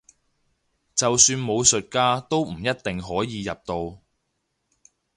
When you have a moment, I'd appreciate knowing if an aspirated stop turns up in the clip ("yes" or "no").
no